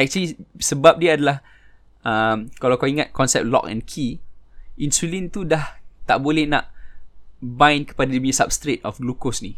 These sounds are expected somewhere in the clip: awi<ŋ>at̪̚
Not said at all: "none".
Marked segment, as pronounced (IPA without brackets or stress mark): ŋ